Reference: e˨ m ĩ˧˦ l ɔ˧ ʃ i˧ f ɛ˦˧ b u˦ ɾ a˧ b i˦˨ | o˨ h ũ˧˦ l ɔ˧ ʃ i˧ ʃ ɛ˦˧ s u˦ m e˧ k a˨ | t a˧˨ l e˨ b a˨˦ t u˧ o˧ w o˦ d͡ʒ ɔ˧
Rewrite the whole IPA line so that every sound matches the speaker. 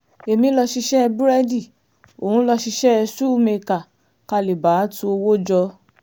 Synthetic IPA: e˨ m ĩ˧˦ l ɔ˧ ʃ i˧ ʃ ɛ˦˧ b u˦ ɾ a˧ d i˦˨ | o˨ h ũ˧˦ l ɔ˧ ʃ i˧ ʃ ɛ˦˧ s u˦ m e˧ k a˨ | k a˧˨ l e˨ b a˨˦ t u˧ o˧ w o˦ d͡ʒ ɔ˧